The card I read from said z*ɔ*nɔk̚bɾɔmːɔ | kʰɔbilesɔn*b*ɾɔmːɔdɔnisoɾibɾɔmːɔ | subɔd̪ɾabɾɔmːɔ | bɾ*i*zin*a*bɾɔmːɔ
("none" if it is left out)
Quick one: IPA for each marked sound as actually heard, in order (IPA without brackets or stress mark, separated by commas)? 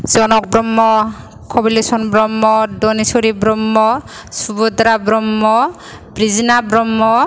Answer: ɔ, b, i, a